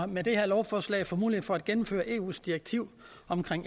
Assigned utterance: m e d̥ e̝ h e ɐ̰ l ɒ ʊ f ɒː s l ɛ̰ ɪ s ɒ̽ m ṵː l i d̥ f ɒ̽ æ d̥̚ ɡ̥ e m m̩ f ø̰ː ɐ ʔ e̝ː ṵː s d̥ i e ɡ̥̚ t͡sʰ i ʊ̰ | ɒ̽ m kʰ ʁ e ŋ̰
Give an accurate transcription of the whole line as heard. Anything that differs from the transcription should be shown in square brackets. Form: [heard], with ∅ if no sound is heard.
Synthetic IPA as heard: m e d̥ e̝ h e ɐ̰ l ɒ ʊ f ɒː s l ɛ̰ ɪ [f] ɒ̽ m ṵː l i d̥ f ɒ̽ æ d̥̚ ɡ̥ e [n] m̩ f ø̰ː ɐ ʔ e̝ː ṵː s d̥ i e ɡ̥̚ t͡sʰ i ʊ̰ | ɒ̽ m kʰ ʁ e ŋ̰